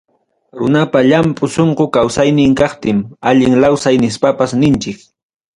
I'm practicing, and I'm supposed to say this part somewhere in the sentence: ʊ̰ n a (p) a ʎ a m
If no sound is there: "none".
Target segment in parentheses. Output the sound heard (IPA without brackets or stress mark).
p